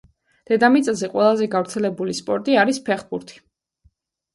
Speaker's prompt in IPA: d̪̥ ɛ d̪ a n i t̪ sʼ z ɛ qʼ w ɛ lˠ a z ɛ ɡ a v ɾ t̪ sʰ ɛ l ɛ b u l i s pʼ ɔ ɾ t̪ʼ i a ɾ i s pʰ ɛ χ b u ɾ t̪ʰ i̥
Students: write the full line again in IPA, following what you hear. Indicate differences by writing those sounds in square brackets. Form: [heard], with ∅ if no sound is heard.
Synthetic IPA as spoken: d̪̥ ɛ d̪ a [m] i t̪ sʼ z ɛ qʼ w ɛ lˠ a z ɛ ɡ a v ɾ t̪ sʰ ɛ l ɛ b u l i s pʼ ɔ ɾ t̪ʼ i a ɾ i s pʰ ɛ χ b u ɾ t̪ʰ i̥